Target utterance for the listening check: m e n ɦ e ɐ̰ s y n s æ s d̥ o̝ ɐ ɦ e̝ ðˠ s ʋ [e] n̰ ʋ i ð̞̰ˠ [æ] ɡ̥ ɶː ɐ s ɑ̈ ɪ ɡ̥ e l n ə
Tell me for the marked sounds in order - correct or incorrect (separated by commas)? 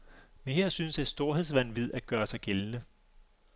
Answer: incorrect, correct